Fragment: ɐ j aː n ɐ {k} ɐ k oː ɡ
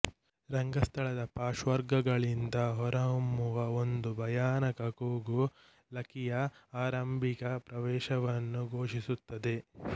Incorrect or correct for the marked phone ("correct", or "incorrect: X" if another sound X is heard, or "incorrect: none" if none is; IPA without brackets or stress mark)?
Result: correct